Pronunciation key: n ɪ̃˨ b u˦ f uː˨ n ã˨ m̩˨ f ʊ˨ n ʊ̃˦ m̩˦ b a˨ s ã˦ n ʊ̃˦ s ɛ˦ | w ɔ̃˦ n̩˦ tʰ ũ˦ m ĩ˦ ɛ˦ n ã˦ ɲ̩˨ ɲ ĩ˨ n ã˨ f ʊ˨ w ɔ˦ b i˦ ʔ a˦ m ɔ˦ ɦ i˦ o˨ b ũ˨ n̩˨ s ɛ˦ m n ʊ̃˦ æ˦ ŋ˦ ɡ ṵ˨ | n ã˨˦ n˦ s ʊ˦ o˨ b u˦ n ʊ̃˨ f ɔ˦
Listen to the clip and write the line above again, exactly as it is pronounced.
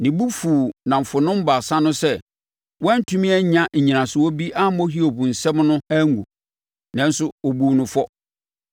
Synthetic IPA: n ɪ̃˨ b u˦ f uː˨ n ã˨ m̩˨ f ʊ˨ n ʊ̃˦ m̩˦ b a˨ s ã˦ n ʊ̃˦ s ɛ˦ | w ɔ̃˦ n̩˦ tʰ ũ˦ m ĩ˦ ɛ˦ ɲ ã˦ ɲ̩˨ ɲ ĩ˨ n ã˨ s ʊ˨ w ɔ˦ b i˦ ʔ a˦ m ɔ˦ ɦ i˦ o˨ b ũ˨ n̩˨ s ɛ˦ m n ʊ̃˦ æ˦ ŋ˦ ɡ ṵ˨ | n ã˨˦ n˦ s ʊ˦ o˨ b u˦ n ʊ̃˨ f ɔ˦